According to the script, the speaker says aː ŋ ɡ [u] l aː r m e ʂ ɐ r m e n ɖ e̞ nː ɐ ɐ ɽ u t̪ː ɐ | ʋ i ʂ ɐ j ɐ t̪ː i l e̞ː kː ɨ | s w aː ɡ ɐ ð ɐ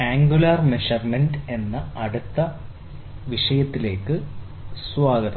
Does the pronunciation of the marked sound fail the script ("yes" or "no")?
no